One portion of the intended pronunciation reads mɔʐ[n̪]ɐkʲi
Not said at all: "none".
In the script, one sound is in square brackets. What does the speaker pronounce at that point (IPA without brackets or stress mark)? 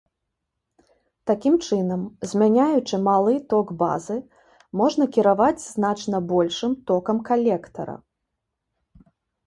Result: n̪